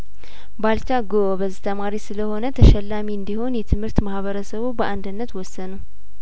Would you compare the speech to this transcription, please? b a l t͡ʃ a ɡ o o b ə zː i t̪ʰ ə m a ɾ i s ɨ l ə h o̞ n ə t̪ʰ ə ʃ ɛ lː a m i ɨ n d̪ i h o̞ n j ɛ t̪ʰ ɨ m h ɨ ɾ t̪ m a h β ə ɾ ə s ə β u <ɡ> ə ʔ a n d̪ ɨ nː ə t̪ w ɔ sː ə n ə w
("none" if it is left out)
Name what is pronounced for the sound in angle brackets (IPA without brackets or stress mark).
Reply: b